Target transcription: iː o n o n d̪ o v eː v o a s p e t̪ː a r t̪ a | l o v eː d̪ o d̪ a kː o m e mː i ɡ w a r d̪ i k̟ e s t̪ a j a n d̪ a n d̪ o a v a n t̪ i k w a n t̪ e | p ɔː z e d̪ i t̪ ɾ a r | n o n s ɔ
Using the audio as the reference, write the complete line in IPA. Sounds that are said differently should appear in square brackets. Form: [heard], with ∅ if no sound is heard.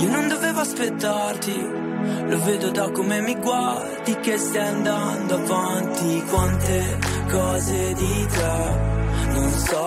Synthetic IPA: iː o n o n d̪ o v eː v o a s p e t̪ː a r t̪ [i] | l o v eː d̪ o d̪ a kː o m e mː i ɡ w a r d̪ i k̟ e s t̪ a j a n d̪ a n d̪ o a v a n t̪ i k w a n t̪ e | [k] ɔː z e d̪ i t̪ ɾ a [∅] | n o n s ɔ